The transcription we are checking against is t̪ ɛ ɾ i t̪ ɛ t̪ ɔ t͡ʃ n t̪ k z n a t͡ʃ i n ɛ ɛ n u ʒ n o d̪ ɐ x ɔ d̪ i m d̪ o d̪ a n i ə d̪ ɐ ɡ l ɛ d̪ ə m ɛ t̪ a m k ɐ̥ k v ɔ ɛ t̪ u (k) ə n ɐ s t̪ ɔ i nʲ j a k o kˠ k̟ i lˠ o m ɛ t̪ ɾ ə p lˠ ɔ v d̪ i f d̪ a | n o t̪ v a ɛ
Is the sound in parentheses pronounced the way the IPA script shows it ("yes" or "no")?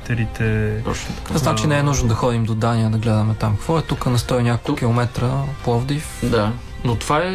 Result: yes